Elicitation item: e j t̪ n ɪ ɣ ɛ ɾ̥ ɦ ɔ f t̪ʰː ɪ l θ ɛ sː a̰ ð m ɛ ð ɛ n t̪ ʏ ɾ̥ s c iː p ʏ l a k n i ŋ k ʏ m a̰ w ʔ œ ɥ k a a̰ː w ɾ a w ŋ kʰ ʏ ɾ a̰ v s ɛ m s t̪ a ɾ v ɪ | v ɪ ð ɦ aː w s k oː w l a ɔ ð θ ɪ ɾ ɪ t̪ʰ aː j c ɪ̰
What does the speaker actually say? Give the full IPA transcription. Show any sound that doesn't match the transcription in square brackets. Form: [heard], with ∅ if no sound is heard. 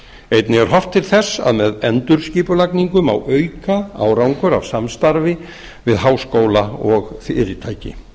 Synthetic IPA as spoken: e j t̪ n ɪ ɣ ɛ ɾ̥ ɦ ɔ f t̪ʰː ɪ l θ ɛ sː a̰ ð m ɛ ð ɛ n t̪ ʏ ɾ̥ s c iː p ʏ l a k n i ŋ k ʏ m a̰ w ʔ œ ɥ k a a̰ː w ɾ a w ŋ [k] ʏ ɾ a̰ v s [a] m s t̪ a ɾ v ɪ | v ɪ ð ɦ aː w s k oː w l a ɔ [ɣ] θ ɪ ɾ ɪ t̪ʰ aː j c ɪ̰